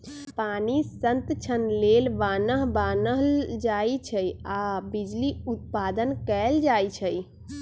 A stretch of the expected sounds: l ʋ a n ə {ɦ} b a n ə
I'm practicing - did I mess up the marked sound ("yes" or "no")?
no